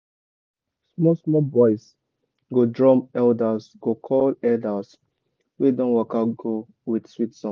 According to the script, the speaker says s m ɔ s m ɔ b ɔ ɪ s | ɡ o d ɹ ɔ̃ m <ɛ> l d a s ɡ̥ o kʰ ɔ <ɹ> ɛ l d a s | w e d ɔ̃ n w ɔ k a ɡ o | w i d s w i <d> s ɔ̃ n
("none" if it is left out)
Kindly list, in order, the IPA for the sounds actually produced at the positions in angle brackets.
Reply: ɛ, l, t

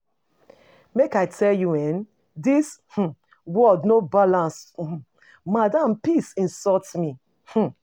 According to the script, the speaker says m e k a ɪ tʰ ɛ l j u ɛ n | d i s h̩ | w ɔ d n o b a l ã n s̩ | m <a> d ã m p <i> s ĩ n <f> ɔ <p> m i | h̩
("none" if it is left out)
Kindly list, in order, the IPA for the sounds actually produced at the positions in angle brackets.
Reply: a, i, s, t

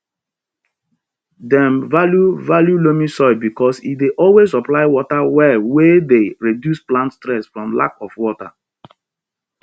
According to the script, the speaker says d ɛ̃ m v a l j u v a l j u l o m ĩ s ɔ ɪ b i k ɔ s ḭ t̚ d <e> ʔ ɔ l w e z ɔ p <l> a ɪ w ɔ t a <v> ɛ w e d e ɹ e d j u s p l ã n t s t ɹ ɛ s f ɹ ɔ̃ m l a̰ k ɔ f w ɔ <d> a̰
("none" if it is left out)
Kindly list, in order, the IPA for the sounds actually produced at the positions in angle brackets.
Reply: e, l, w, t

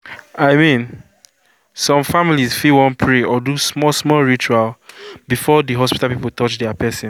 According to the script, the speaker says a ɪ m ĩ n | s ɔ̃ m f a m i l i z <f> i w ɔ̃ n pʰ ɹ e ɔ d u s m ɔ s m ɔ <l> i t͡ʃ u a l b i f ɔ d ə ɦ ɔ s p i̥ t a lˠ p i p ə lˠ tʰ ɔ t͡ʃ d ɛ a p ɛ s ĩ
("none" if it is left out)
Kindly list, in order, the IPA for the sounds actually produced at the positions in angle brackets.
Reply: f, ɹ

